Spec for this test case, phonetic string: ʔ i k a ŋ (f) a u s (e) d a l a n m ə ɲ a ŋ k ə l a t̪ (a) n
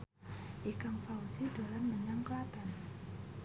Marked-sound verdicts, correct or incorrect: correct, incorrect, correct

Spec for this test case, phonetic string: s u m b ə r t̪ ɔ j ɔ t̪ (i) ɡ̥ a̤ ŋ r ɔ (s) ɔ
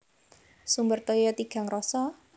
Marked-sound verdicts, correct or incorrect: correct, correct

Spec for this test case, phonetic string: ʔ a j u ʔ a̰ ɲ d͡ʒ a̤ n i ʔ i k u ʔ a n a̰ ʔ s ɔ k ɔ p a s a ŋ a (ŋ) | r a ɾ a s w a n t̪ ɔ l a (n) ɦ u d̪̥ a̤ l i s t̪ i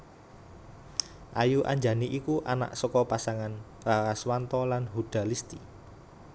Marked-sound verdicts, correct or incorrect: incorrect, correct

